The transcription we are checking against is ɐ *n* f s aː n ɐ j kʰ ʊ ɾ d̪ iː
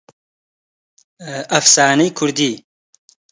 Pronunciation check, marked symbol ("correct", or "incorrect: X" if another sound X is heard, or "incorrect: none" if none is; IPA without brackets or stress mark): incorrect: none